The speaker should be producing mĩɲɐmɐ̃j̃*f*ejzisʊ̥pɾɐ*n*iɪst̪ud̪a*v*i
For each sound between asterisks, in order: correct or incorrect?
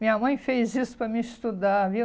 correct, incorrect: m, correct

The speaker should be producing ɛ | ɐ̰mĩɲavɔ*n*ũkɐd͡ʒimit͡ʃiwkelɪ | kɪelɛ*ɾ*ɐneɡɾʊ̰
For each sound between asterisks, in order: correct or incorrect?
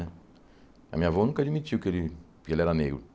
correct, correct

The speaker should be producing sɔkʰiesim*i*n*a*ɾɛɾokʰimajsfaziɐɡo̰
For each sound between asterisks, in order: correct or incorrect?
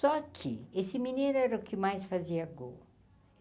correct, incorrect: e

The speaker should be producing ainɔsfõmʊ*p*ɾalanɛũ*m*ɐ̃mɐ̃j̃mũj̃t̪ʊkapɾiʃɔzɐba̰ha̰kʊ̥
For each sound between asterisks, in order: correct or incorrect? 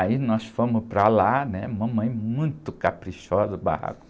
correct, correct

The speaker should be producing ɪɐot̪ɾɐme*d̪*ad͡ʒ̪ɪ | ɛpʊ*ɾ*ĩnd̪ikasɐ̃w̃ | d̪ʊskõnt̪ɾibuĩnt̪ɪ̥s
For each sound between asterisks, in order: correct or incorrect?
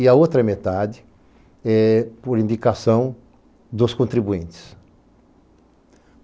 incorrect: t̪, correct

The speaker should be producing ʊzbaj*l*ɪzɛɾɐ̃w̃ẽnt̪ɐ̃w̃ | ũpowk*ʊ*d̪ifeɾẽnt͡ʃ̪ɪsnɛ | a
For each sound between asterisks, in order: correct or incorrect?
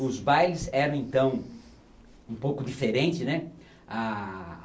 correct, correct

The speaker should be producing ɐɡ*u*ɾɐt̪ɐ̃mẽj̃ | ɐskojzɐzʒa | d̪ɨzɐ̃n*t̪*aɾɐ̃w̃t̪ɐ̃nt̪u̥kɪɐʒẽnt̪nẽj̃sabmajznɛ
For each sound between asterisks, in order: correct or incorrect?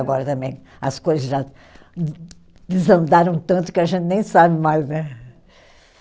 incorrect: ɔ, incorrect: d̪

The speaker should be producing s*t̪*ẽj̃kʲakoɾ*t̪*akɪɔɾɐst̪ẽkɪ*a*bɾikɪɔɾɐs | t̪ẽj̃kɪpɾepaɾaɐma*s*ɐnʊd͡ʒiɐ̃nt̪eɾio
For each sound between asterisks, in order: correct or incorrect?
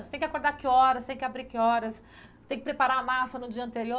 correct, incorrect: d̪, correct, correct

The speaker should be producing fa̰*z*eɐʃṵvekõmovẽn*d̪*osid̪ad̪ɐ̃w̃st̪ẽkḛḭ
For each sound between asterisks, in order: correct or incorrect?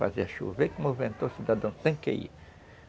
correct, incorrect: t̪

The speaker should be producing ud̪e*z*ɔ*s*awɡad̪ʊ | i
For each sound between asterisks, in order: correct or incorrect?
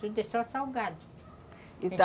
incorrect: s, correct

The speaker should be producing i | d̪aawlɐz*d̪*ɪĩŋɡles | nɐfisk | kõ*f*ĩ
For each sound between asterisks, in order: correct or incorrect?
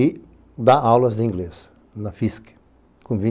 correct, incorrect: v

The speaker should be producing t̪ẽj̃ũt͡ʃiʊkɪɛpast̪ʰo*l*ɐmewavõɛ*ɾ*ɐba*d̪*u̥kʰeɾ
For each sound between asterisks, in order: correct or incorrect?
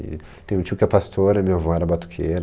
incorrect: ɾ, correct, incorrect: t̪

